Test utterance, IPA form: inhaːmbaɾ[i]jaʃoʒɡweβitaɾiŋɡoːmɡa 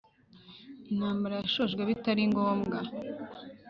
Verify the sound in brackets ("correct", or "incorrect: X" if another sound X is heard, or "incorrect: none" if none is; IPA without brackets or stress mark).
incorrect: a